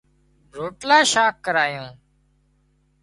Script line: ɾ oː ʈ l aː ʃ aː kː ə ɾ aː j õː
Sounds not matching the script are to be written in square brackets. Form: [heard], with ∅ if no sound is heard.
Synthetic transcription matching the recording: ɾ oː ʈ l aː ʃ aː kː ə ɾ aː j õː